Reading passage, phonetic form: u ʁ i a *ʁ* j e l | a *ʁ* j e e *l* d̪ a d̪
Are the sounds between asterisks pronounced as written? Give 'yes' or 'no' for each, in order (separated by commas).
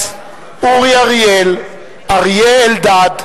yes, yes, yes